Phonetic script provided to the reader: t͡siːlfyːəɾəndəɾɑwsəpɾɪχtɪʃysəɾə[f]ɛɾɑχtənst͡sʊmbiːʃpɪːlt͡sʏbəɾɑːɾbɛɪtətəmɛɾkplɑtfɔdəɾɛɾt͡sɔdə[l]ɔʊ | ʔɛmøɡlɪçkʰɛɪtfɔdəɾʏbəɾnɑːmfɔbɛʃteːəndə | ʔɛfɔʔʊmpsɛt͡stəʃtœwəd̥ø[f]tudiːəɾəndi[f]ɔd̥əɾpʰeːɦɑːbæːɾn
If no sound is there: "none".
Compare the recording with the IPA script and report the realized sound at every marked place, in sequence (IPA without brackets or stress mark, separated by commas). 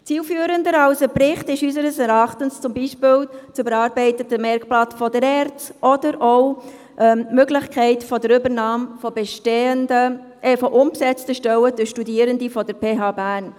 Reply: s, ɾ, ʃ, f